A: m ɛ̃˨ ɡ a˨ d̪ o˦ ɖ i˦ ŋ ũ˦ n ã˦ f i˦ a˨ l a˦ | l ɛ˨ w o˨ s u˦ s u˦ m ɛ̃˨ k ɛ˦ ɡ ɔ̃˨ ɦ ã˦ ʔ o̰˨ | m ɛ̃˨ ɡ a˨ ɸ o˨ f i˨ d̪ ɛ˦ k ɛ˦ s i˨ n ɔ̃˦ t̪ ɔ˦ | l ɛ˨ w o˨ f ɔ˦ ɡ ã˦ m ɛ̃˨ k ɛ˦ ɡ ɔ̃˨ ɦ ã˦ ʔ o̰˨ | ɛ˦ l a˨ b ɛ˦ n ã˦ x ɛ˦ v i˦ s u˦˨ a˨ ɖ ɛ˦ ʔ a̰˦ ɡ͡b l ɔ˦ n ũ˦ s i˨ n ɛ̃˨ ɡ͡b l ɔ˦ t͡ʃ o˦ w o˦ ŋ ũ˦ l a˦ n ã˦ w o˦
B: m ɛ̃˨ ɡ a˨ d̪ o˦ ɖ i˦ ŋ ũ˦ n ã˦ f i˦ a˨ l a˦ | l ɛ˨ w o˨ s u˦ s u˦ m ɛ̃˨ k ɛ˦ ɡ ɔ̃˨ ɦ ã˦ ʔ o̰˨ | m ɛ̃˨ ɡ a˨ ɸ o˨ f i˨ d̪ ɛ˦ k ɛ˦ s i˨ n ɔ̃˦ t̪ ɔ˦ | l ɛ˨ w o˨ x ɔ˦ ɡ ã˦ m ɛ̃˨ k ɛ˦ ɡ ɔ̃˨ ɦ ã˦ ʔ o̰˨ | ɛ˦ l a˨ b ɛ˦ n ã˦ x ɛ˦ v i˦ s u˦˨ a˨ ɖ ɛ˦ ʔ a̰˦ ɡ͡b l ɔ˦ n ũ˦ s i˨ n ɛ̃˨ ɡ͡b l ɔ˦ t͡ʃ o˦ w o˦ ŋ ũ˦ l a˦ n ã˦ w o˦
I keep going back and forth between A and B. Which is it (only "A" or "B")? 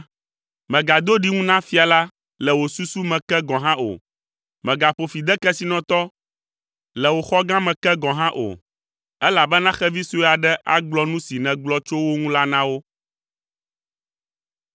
B